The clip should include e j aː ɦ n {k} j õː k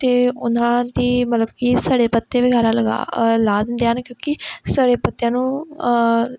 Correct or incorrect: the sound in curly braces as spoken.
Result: correct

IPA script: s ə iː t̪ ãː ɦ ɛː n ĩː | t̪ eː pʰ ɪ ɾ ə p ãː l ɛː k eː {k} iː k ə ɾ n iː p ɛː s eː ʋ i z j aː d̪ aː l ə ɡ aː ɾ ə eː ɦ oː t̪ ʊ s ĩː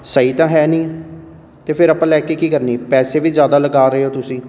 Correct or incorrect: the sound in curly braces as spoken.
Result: correct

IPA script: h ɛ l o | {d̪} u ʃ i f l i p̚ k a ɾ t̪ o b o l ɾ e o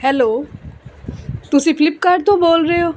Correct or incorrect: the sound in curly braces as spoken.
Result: incorrect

